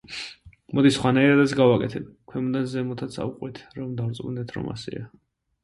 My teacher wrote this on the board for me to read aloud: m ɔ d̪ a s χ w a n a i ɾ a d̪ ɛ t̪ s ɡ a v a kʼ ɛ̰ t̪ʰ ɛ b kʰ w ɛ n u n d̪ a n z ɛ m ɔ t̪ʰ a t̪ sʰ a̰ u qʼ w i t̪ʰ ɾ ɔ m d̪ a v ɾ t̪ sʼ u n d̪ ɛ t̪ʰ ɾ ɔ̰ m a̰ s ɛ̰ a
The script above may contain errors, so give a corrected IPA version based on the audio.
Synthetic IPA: m ɔ d̪ i s χ w a n a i ɾ a d̪ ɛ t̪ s ɡ a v a kʼ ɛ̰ t̪ʰ ɛ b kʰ w ɛ m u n d̪ a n z ɛ m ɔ t̪ʰ a t̪ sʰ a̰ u qʼ w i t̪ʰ ɾ ɔ m d̪ a v ɾ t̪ sʼ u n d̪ ɛ t̪ʰ ɾ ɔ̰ m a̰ s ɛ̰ a